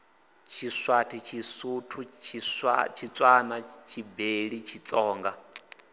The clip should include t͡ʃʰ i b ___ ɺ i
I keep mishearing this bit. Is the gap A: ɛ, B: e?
B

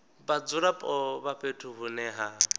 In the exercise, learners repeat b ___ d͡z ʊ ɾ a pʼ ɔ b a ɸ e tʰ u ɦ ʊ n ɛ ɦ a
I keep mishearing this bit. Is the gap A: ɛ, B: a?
B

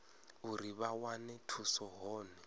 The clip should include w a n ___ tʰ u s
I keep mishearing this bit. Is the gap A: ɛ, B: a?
A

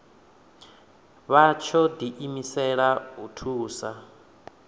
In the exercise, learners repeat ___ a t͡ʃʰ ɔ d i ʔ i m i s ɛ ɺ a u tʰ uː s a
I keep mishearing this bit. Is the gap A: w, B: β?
B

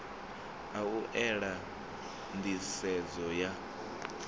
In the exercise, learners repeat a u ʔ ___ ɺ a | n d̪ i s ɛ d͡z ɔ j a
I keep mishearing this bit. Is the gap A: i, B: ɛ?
B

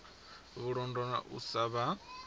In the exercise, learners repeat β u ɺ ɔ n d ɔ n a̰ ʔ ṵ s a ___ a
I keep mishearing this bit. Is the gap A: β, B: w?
A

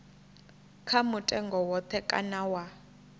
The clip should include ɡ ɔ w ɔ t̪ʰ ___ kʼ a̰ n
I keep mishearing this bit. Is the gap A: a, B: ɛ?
B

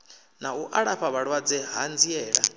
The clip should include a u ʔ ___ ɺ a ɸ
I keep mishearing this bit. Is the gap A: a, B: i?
A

